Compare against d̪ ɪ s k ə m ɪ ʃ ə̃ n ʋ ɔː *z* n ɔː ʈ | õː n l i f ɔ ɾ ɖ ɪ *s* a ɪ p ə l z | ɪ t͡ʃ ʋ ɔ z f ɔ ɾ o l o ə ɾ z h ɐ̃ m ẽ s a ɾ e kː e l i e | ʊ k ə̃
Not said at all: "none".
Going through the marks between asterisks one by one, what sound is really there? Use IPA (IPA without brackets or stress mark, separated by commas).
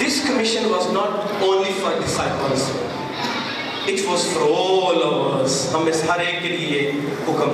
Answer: z, s